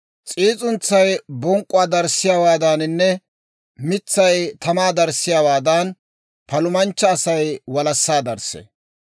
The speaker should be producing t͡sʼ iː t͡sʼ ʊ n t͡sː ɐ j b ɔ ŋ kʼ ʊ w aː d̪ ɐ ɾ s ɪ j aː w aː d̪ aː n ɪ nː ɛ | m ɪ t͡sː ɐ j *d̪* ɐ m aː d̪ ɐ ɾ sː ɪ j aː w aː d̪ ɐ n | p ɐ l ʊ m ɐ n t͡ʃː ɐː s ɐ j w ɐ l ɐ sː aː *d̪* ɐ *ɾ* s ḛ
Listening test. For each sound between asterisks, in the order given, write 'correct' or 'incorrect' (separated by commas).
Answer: incorrect, correct, correct